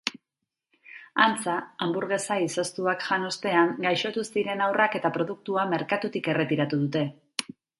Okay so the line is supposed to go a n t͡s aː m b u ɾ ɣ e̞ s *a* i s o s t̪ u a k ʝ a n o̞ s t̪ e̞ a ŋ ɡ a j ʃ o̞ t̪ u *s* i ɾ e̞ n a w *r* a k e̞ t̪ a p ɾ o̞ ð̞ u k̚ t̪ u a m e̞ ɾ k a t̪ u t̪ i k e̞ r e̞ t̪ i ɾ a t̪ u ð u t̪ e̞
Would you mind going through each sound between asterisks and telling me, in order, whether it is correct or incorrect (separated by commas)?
correct, correct, correct